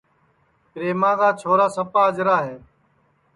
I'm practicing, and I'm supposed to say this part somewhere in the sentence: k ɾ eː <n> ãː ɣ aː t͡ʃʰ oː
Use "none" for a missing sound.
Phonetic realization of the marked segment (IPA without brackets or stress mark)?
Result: m